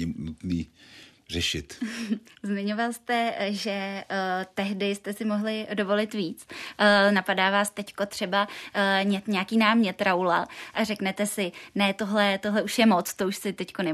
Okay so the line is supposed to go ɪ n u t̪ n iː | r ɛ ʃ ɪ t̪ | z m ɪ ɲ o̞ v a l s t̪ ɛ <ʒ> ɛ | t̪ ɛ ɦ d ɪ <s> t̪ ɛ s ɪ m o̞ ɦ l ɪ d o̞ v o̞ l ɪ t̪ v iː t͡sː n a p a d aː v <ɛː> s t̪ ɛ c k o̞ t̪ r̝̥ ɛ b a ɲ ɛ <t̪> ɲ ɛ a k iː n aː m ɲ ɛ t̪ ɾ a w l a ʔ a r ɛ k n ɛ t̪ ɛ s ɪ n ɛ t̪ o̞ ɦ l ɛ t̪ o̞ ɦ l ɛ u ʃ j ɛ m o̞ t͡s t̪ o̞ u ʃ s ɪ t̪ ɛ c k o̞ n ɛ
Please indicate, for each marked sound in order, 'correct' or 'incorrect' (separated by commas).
correct, correct, incorrect, correct